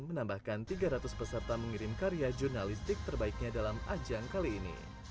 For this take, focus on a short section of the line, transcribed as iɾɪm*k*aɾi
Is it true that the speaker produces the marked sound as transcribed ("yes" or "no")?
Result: yes